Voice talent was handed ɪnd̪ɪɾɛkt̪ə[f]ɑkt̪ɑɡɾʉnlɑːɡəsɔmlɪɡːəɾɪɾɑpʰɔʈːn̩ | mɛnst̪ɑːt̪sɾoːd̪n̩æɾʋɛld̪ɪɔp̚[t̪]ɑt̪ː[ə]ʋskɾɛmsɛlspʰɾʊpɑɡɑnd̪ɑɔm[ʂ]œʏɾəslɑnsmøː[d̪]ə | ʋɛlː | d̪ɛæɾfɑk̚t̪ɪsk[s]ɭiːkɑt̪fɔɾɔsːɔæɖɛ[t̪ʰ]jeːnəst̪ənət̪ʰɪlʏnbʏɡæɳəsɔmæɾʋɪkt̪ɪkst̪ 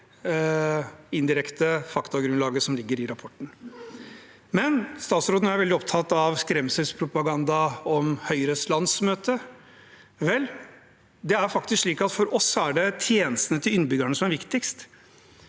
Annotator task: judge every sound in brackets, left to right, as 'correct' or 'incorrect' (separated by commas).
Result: correct, incorrect, incorrect, incorrect, incorrect, incorrect, correct